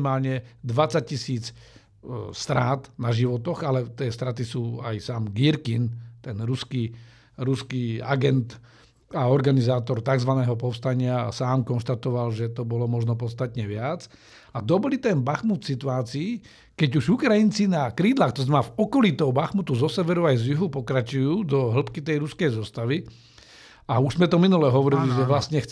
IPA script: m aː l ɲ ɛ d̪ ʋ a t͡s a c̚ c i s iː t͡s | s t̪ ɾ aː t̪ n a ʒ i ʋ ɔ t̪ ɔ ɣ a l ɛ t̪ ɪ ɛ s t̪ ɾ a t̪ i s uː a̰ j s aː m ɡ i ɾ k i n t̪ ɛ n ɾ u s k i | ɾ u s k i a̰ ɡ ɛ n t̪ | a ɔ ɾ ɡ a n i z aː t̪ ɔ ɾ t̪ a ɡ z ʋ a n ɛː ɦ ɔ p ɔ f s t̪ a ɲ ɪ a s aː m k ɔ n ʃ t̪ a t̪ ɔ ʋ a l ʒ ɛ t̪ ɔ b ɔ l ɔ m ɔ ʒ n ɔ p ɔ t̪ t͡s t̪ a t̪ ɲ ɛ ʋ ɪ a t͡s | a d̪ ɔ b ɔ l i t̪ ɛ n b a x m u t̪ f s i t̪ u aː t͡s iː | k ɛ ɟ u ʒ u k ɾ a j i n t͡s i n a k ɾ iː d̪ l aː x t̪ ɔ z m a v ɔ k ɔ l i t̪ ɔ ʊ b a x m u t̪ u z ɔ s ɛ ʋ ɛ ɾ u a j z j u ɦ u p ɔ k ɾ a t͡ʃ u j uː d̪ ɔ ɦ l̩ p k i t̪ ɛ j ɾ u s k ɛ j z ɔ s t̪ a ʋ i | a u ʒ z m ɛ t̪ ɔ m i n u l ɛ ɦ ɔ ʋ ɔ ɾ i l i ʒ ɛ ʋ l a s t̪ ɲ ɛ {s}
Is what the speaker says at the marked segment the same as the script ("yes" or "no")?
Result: no